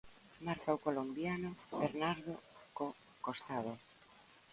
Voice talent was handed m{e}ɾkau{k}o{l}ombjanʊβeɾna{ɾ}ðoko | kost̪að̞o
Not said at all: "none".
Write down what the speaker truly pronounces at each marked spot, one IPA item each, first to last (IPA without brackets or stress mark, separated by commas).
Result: a, k, l, ɾ